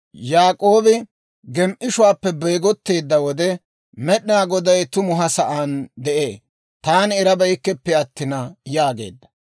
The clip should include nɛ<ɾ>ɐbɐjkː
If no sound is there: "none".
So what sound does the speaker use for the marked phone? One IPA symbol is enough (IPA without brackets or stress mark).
ɾ